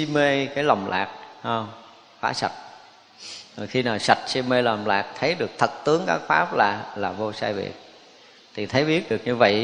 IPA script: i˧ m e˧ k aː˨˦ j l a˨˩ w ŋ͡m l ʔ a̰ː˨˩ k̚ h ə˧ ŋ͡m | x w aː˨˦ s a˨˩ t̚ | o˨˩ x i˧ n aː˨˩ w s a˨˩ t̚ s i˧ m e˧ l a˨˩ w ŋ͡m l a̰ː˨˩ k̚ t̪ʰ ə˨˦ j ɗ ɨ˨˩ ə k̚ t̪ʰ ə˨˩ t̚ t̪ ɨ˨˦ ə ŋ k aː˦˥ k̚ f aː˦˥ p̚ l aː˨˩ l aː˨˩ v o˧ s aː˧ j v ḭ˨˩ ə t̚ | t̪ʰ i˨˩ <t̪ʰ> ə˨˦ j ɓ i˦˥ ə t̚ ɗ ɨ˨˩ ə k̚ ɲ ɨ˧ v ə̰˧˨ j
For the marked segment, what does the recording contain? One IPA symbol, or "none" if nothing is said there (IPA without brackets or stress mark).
t̪ʰ